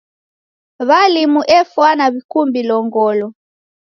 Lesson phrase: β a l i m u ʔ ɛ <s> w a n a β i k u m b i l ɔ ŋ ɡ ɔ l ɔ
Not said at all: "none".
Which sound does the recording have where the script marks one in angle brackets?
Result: f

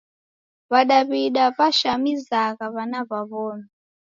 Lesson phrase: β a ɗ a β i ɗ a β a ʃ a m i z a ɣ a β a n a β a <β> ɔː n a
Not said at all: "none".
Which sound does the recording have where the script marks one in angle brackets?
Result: β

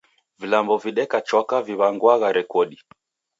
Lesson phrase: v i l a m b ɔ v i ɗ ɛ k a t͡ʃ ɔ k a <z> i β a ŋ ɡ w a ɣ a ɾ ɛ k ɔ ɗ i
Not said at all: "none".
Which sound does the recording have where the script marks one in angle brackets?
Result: v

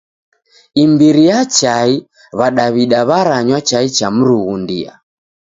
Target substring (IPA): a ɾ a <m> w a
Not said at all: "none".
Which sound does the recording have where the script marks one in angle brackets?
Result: ɲ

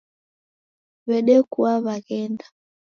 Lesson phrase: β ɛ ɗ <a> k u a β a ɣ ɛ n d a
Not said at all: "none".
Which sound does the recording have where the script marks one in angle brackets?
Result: ɛ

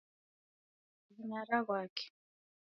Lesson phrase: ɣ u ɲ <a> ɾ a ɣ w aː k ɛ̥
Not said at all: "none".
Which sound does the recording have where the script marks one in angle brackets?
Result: a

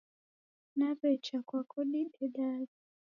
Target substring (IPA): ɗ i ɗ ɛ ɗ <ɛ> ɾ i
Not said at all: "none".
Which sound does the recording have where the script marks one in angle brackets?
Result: a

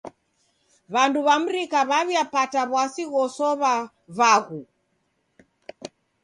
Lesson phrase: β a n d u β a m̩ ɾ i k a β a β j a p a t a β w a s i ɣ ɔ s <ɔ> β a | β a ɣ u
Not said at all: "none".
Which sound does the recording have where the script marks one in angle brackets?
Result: ɔ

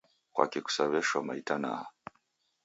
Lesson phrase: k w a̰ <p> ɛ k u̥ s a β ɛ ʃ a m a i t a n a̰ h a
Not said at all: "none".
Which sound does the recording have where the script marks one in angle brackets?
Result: k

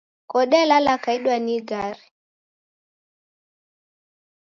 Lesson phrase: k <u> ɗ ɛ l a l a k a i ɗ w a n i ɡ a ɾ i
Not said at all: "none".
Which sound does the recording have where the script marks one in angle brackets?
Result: ɔ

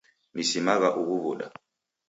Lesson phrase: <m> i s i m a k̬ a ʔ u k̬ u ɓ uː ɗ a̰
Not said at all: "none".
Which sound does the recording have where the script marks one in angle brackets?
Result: m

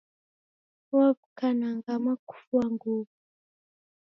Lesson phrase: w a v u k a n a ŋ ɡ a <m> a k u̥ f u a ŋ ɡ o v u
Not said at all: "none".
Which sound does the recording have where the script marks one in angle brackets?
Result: m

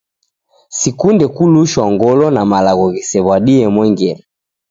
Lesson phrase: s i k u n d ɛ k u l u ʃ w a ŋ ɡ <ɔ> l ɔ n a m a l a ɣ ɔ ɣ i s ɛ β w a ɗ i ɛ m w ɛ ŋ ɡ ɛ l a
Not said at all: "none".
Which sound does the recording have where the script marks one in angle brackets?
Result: ɔ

